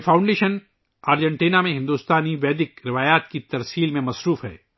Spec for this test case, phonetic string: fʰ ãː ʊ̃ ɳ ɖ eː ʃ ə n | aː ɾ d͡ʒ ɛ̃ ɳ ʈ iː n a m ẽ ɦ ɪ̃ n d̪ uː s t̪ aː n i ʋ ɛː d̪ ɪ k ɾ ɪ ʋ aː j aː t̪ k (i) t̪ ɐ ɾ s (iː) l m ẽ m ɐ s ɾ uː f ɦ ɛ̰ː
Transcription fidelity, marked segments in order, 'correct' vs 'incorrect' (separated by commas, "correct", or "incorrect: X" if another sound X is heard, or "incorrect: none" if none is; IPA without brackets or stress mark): correct, correct